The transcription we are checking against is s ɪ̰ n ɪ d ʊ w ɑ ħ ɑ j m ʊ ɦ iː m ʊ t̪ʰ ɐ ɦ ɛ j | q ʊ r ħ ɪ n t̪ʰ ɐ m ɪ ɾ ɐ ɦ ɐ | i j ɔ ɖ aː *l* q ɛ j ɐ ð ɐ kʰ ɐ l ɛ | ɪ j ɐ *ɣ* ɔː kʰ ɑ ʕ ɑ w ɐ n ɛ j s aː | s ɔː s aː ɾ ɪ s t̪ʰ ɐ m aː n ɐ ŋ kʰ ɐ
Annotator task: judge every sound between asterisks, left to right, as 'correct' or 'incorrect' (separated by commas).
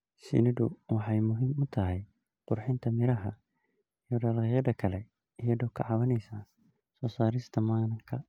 correct, incorrect